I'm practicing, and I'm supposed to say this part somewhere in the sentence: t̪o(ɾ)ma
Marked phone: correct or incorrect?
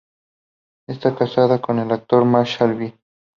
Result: correct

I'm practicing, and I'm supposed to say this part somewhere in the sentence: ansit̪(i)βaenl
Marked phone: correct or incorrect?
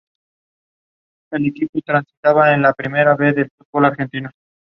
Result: incorrect: a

